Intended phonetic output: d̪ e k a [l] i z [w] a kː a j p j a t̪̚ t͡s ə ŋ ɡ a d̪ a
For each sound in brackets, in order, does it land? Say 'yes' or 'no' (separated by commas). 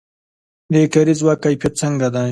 no, yes